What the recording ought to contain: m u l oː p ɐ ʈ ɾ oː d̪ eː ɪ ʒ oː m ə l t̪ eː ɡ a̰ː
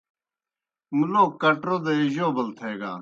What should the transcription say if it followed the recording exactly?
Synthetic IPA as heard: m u l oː k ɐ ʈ ɾ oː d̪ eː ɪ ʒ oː b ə l t̪ʰ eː ɡ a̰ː